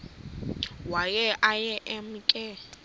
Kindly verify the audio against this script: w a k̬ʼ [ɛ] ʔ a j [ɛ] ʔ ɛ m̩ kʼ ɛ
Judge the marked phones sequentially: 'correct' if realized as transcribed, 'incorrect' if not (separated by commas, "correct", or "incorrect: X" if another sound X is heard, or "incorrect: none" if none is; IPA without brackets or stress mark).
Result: correct, correct